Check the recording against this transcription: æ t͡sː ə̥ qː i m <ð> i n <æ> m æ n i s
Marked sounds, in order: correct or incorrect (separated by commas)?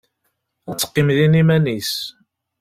correct, incorrect